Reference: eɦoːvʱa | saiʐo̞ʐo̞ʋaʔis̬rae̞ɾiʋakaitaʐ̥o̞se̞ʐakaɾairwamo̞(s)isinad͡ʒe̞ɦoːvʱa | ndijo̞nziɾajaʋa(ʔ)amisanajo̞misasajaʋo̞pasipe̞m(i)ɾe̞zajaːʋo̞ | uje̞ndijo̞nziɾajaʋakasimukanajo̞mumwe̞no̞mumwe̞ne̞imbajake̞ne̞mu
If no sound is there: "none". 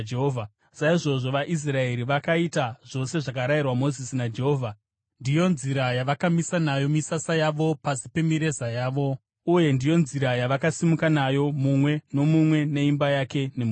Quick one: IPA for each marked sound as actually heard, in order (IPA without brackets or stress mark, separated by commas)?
z, k, i